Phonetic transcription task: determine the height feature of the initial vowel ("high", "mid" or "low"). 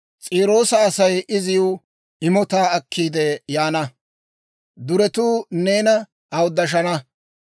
high